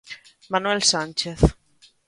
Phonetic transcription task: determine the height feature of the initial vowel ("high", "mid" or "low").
low